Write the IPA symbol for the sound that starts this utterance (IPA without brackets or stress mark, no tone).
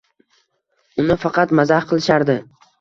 ʊ